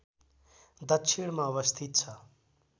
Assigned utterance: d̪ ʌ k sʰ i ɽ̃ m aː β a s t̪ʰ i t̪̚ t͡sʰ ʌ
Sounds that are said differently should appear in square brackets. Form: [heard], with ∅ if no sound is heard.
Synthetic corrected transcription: d̪ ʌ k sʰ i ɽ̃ m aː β [ʌ] s t̪ʰ i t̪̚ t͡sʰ ʌ